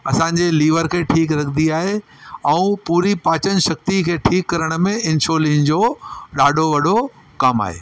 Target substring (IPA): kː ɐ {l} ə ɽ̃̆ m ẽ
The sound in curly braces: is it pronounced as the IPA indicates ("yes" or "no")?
no